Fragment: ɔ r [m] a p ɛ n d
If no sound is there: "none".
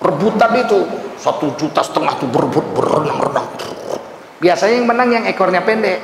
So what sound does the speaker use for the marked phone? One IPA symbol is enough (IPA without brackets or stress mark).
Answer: ɲ